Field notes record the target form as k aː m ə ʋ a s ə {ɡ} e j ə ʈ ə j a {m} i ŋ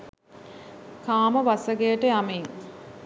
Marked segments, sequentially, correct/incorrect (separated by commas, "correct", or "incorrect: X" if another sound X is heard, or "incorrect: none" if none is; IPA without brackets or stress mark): correct, correct